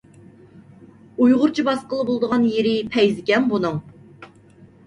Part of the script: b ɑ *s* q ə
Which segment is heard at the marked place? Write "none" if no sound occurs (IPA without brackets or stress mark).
s